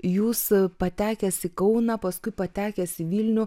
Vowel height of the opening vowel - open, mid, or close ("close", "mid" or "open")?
close